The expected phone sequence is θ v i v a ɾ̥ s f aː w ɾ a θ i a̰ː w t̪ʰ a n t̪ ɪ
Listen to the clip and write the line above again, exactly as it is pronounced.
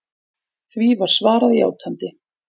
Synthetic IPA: θ v i v a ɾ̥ s v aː ɾ a ð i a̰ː w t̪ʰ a n t̪ ɪ